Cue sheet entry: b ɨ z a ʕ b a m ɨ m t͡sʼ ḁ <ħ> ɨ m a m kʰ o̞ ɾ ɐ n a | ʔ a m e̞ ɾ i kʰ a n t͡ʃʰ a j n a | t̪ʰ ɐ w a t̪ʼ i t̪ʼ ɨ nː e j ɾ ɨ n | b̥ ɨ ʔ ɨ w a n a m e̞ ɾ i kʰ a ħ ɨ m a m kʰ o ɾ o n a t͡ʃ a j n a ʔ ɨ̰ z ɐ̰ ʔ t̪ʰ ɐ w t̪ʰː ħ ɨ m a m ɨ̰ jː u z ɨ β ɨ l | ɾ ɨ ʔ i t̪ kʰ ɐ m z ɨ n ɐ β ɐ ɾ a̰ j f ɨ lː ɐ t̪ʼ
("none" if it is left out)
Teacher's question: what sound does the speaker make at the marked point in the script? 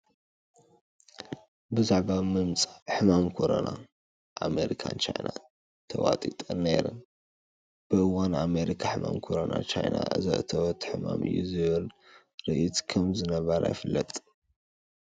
ħ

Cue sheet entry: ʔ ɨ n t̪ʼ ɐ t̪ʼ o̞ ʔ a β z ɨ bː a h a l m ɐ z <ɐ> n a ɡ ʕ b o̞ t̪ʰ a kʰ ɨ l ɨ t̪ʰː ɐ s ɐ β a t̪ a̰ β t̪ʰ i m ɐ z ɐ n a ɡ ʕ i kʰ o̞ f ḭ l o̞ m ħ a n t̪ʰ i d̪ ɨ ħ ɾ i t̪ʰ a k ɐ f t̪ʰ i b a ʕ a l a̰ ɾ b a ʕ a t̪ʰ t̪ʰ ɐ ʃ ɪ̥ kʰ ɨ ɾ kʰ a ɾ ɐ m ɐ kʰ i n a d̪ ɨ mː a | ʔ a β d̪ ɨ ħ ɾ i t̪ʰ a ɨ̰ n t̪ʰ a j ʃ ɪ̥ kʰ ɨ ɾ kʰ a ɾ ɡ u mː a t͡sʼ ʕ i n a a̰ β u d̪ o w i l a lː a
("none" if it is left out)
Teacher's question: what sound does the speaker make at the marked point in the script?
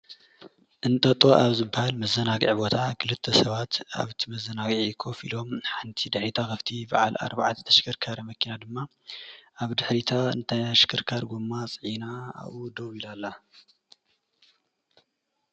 ɐ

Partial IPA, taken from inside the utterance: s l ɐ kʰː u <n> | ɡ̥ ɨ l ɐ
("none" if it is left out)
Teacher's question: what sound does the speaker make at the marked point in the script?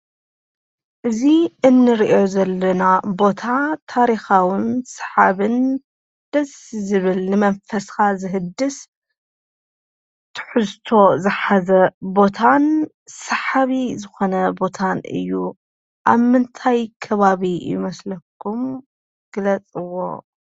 m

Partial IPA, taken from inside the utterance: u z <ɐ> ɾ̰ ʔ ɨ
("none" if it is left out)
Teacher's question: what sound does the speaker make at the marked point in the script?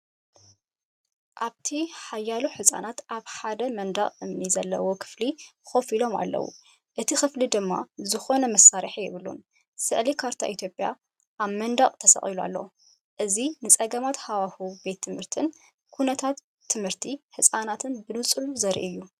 ɐ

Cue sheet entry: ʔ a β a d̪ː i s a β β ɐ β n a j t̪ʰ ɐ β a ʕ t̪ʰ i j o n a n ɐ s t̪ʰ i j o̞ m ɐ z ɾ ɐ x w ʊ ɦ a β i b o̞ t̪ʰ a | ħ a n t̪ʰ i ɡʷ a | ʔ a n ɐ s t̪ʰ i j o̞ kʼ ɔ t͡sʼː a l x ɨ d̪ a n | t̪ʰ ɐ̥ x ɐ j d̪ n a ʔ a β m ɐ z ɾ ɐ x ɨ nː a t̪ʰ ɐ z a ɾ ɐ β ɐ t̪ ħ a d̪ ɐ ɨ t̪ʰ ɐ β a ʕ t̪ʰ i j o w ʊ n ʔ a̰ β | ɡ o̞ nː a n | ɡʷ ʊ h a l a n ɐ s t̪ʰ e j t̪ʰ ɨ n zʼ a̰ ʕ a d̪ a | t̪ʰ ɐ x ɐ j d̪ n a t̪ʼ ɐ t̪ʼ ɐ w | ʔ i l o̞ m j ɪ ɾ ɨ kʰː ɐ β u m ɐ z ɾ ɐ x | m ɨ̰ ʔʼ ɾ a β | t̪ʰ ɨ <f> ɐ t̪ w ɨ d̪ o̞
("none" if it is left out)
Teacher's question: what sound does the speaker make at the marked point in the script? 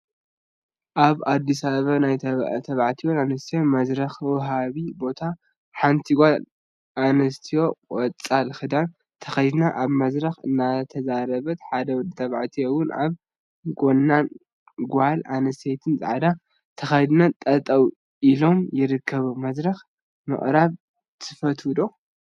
f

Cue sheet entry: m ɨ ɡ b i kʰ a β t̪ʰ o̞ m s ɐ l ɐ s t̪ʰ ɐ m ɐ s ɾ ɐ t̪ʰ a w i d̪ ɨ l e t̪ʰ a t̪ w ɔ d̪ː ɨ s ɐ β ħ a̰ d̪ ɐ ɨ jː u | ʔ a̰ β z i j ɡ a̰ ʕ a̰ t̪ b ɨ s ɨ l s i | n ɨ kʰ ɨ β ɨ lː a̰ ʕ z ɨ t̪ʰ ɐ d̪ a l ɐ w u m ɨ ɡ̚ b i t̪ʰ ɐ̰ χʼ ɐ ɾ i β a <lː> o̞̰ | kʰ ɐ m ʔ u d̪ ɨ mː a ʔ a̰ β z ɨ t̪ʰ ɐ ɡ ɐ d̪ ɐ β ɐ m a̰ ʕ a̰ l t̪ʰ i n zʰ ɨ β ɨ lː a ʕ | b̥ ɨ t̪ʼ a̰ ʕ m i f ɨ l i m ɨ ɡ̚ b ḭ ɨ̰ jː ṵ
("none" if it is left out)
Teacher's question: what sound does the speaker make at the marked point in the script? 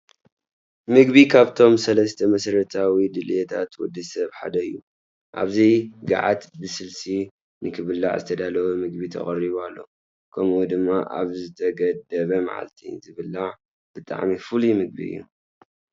lː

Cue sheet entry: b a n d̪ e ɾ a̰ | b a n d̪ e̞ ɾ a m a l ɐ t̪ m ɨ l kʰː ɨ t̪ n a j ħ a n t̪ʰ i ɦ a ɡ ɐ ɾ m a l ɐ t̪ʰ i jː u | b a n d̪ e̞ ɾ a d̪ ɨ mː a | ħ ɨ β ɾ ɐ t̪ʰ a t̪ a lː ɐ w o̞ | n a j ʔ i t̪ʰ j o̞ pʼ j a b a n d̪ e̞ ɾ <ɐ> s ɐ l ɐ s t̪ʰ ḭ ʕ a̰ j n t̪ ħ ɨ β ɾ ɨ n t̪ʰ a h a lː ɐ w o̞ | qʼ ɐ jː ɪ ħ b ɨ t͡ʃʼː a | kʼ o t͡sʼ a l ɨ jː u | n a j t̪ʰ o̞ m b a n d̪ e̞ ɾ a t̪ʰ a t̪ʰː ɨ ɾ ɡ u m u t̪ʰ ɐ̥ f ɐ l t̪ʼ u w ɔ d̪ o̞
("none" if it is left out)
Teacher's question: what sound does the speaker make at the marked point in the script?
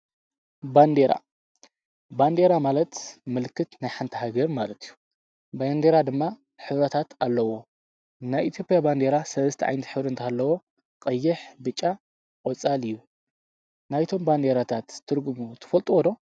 a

